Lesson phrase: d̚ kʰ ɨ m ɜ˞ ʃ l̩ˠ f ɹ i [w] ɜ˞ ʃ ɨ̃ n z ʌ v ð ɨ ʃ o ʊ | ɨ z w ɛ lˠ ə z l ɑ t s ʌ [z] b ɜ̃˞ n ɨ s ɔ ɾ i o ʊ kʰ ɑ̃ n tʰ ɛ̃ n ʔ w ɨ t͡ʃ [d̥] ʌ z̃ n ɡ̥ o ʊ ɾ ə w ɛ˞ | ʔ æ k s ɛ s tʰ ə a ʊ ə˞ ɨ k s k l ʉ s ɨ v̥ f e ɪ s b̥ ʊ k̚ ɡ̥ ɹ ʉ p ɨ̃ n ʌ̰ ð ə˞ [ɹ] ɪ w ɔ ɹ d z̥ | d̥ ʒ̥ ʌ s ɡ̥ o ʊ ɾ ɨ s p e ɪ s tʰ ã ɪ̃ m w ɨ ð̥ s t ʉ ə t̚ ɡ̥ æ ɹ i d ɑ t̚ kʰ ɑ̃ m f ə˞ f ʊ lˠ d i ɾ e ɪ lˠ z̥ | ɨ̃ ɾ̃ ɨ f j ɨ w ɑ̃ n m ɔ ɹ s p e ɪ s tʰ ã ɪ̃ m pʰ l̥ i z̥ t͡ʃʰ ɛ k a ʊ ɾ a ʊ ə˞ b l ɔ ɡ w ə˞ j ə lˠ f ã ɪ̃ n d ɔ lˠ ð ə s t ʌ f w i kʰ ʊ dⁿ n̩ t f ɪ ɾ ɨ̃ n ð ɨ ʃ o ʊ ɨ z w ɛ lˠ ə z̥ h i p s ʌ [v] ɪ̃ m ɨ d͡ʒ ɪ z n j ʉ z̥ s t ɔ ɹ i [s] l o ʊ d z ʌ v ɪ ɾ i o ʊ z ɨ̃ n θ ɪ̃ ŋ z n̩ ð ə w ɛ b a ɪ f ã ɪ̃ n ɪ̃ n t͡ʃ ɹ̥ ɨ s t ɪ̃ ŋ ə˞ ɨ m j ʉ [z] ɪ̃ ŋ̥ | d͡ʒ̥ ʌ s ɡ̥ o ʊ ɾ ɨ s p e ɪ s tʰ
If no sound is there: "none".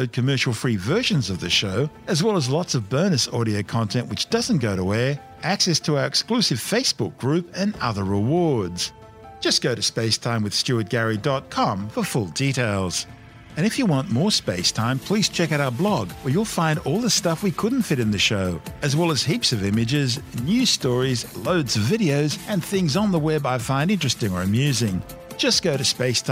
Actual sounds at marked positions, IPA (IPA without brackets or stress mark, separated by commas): v, v, d̥, ɹ, v, z, z